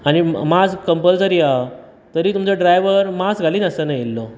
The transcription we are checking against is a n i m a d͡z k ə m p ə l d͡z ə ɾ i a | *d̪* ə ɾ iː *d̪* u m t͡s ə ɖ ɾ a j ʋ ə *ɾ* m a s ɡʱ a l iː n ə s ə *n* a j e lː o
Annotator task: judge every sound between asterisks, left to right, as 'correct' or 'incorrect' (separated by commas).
incorrect, incorrect, correct, correct